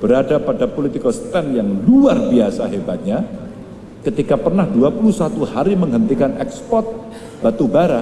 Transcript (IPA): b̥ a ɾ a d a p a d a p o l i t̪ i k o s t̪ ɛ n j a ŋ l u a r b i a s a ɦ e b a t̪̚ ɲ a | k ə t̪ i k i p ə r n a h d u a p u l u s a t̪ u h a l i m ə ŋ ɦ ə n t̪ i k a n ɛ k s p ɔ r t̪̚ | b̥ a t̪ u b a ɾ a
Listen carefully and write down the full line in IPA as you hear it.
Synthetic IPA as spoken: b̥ ə ɾ a d a p a d a p o l i t̪ i k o s t̪ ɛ n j a ŋ l u a r b i a s a ɦ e b a t̪̚ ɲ a | k ə t̪ i k a p ə r n a h d u a p u l u s a t̪ u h a ɾ i m ə ŋ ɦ ə n t̪ i k a n ɛ k s p ɔ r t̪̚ | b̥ a t̪ u b a ɾ a